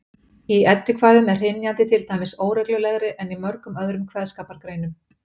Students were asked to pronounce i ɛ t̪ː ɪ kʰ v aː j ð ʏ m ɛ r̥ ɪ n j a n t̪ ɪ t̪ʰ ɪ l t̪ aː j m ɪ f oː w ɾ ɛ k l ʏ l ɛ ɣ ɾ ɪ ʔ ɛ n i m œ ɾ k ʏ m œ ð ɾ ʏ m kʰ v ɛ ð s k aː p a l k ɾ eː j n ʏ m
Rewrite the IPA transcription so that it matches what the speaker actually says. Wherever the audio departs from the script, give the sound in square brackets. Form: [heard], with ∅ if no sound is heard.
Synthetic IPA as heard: i ɛ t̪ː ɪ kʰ v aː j ð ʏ m ɛ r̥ ɪ n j a n t̪ ɪ t̪ʰ ɪ l t̪ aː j m ɪ [s] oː w ɾ ɛ k l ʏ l ɛ ɣ ɾ ɪ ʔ ɛ n i m œ ɾ k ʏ m œ ð ɾ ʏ m kʰ v ɛ ð s k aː p a [ɾ] k ɾ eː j n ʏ m